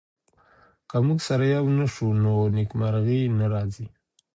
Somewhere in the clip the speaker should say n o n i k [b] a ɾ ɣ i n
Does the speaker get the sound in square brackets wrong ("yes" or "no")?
yes